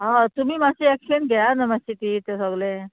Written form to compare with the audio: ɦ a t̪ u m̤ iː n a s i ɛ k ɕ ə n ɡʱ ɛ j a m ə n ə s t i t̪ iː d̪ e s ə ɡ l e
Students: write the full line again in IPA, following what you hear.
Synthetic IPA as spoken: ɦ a t̪ u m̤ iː m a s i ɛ k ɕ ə n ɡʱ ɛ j a n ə m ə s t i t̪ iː t̪ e s ə ɡ l e

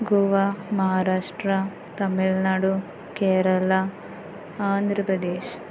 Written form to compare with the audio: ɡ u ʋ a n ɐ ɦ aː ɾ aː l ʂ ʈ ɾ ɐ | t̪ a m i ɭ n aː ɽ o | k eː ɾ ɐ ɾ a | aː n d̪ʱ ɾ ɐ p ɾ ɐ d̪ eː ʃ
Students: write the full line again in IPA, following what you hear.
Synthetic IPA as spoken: ɡ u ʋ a m ɐ ɦ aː ɾ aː ʂ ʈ ɾ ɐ | t̪ ɐ m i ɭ n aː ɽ u | k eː ɾ ɐ l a | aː n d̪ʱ ɾ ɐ p ɾ ɐ d̪ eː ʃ

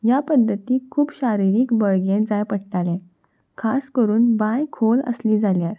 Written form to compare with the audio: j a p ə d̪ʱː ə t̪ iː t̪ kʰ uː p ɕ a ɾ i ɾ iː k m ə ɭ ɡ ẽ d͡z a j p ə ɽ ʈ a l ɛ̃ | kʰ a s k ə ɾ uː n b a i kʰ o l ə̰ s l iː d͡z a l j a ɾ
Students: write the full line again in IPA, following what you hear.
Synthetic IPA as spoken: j a p ə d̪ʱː ə t̪ iː kʰ uː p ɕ a ɾ i ɾ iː k b ə ɭ ɡ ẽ d͡z a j p ə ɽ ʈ a l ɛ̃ | kʰ a s k ə ɾ uː n b a j kʰ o l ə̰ s l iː d͡z a l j a ɾ

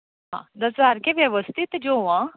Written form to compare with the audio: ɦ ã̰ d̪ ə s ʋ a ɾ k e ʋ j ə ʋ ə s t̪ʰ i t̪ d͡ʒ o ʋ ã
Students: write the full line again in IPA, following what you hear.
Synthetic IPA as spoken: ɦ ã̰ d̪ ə s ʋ a ɾ k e ʋ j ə ʋ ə s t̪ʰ i t̪ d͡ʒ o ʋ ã

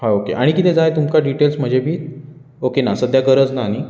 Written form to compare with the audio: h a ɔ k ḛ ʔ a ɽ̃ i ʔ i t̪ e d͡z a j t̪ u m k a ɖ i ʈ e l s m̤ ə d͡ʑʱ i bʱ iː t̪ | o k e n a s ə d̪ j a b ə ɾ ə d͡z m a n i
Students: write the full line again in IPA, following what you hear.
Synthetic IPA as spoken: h a o k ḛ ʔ a ɽ̃ i k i t̪ e d͡z a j t̪ u m k a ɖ i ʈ e l s m̤ ə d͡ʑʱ e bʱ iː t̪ | o k e n a s ə d̪ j a ɡ ə ɾ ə d͡z n a n i

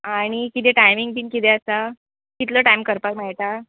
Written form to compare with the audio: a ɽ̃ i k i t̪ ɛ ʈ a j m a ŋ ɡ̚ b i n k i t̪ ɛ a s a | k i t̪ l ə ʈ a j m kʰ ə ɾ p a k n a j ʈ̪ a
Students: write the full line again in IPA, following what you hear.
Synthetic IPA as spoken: a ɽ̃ i k i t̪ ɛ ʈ a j m i ŋ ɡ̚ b i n k i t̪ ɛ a s a | k i t̪ l ə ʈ a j m k ə ɾ p a k m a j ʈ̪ a

